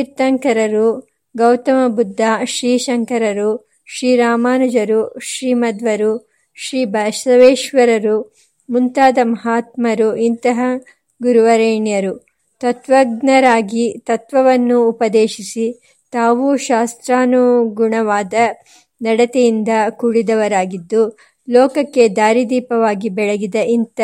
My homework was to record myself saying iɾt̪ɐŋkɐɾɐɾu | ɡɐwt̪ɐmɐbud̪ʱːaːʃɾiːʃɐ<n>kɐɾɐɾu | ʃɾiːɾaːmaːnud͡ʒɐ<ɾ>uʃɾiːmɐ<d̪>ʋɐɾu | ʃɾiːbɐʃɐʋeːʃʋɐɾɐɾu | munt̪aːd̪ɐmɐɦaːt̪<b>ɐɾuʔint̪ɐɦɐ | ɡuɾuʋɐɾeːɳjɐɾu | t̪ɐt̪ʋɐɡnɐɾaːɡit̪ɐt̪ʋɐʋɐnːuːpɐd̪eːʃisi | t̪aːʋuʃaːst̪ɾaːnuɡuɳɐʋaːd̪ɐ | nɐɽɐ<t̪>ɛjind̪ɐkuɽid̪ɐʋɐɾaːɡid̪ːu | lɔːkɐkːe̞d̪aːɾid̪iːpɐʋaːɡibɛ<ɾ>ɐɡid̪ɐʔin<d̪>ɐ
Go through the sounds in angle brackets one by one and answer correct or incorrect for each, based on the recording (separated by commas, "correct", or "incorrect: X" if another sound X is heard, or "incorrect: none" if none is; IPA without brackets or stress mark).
incorrect: ŋ, correct, correct, incorrect: m, correct, incorrect: ɭ, incorrect: t̪